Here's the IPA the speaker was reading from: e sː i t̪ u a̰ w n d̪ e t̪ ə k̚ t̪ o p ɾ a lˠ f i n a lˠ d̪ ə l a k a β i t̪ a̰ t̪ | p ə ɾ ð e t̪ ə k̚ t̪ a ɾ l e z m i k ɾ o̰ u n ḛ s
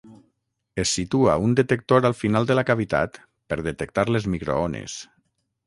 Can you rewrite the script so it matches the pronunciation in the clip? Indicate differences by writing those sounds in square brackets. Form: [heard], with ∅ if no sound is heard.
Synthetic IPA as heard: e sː i t̪ u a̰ [u] n d̪ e t̪ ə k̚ t̪ o [∅] ɾ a lˠ f i n a lˠ d̪ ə l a k a β i t̪ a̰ t̪ | p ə ɾ ð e t̪ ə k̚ t̪ a ɾ l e z m i k ɾ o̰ [o] n ḛ s